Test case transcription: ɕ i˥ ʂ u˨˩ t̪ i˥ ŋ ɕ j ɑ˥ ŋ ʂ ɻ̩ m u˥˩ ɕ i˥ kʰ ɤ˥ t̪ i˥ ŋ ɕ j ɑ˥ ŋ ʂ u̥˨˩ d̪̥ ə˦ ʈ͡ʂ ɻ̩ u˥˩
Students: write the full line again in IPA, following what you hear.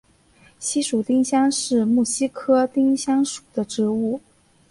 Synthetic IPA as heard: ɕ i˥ ʂ u˨˩ t̪ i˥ ŋ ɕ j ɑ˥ ŋ ʂ ɻ̩ m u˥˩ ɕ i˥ kʰ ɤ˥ t̪ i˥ ŋ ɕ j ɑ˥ ŋ ʂ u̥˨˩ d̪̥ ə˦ ʈ͡ʂ ɻ̩ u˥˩